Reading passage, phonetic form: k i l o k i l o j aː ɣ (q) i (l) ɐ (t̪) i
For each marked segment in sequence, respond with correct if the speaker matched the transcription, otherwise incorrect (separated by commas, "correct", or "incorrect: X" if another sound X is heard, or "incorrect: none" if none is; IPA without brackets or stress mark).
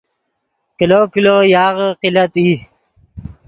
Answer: correct, correct, correct